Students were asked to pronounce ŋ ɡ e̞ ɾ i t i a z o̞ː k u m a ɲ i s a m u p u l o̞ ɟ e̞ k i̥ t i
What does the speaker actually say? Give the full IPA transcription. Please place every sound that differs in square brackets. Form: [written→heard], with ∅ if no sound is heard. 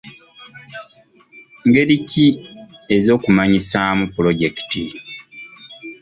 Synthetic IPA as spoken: ŋ ɡ e̞ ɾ i [t→c] i [a→e] z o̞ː k u m a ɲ i s a m u p u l o̞ ɟ e̞ k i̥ t i

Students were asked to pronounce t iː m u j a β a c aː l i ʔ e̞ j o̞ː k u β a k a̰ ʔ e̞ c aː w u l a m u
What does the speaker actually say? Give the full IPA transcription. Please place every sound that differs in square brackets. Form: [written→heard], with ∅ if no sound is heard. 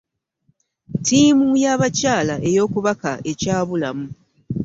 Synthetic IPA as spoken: t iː m u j a β a c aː l [i→a] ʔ e̞ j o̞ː k u β a k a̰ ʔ e̞ c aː [w→β] u l a m u

